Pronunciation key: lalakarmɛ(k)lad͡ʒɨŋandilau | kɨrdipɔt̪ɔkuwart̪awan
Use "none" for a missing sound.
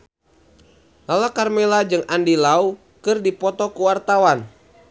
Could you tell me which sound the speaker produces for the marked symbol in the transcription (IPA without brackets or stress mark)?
none